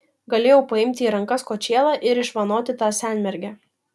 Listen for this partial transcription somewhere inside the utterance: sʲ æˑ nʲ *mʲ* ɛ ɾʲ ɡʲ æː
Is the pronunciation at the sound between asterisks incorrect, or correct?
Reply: correct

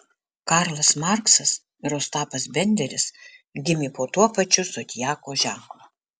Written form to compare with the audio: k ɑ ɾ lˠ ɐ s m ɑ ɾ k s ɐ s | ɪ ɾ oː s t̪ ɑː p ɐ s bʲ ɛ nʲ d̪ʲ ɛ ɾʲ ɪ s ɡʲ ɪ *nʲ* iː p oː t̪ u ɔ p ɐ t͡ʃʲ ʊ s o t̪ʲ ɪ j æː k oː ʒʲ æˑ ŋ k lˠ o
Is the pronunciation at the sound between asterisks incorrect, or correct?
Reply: incorrect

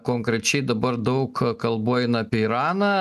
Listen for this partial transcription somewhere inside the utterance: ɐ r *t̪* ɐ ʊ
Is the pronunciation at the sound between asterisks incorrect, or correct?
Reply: incorrect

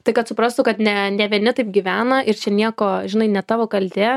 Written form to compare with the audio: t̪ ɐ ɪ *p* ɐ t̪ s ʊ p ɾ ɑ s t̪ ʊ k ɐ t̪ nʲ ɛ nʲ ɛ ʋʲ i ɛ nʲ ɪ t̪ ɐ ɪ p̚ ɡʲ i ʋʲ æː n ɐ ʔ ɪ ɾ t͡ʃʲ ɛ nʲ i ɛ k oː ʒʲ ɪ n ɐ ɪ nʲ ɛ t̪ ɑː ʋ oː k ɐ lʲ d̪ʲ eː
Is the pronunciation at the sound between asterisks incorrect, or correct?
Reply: incorrect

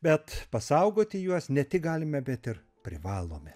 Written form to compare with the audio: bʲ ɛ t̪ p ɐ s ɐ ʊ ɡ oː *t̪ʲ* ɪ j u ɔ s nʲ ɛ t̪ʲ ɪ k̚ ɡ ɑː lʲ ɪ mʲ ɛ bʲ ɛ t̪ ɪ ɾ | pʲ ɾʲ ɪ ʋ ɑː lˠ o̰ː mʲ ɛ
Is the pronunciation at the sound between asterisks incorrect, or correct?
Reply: correct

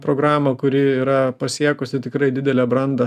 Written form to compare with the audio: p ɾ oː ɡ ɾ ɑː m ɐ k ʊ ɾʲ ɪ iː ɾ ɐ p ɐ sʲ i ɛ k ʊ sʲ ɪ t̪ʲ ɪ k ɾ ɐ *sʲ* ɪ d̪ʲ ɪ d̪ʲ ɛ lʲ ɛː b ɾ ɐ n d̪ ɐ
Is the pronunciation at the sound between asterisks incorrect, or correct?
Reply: incorrect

